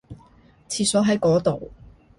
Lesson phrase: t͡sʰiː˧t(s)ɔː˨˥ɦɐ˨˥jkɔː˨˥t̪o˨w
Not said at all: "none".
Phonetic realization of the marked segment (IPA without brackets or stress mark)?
s